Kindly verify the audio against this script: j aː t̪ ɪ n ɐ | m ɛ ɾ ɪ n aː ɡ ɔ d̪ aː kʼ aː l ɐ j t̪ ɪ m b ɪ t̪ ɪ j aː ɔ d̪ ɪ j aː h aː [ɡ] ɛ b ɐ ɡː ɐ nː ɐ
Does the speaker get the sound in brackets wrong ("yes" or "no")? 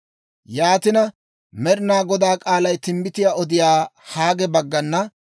no